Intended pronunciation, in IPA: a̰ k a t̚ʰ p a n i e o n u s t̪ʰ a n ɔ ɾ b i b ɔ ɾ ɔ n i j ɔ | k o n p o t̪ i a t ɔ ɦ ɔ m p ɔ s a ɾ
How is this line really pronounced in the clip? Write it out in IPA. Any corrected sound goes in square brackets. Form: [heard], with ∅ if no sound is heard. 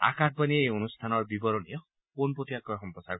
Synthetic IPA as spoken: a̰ k a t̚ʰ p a n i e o n u s t̪ʰ a n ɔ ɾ b i b ɔ ɾ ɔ n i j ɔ | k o n p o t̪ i a [k] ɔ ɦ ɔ m p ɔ s a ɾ